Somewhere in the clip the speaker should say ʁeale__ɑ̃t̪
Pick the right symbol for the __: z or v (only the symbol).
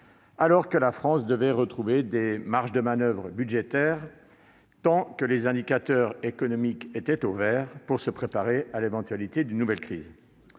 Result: v